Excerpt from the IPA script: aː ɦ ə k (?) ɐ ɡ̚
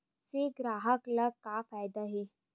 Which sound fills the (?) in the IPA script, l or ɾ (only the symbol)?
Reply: l